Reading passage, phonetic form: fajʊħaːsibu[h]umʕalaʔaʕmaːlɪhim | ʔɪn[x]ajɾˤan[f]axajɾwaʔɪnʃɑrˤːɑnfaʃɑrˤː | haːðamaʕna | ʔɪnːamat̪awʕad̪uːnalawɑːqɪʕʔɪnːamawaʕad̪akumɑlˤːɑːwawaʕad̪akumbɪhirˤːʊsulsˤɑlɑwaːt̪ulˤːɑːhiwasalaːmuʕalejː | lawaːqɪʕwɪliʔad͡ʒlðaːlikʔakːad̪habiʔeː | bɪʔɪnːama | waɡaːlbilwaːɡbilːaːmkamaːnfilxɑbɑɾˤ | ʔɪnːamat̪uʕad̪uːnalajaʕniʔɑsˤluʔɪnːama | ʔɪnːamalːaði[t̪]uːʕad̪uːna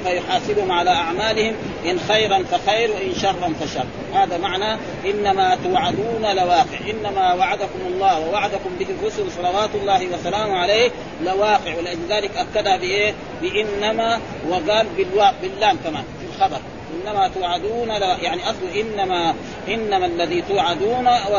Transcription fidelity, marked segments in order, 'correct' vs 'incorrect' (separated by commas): correct, correct, correct, correct